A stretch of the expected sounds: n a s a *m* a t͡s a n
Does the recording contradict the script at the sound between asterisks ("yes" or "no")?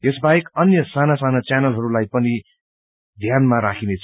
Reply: yes